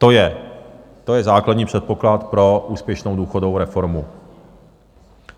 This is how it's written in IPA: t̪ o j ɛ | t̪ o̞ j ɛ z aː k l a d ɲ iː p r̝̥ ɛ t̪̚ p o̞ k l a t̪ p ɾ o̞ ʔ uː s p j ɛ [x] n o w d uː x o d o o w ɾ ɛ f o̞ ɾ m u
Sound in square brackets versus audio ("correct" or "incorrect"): incorrect